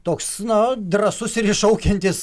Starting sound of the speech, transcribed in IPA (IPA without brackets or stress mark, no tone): t̪